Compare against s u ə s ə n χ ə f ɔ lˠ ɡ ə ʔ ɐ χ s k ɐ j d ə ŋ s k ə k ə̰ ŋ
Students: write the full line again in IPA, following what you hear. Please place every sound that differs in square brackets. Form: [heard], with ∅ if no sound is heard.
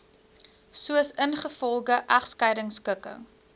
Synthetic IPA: s u ə s ə n χ ə f ɔ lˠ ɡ ə ʔ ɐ χ s k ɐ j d ə ŋ s k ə k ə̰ ŋ